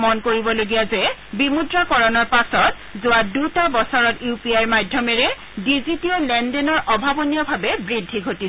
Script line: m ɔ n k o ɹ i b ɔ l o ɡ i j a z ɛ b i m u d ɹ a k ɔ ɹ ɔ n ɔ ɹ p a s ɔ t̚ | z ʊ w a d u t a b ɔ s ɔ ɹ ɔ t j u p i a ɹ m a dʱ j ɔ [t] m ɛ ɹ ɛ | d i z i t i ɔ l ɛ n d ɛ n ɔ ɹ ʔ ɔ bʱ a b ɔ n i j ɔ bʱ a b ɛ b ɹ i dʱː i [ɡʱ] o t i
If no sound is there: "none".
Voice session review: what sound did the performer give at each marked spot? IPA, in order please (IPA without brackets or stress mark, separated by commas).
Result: none, ɡʱ